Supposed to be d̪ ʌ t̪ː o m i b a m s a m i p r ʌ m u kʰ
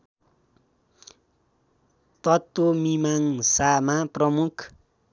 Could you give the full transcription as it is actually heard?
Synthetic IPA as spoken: t̪ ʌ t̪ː o m i m a ŋ s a m a p r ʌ m u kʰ